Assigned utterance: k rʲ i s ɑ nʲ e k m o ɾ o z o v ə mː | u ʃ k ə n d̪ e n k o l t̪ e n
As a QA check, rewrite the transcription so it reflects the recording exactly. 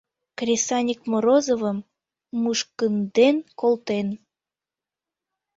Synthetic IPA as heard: k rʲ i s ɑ nʲ i k m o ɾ o z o v ə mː | u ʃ k ə n d̪ e n k o l t̪ e n